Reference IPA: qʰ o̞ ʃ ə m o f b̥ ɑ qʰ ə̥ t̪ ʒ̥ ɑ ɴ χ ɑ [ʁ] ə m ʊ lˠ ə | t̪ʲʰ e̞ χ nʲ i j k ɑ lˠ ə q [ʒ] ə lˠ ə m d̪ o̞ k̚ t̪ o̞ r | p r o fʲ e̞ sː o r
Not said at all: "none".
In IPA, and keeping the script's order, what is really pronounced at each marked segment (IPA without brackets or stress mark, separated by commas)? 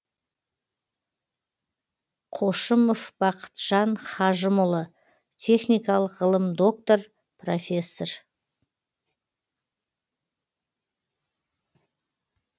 ʒ, ʁ